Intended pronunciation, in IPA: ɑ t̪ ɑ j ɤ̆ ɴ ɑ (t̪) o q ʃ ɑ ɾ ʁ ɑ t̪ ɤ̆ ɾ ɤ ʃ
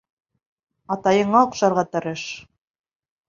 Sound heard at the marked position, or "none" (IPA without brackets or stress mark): none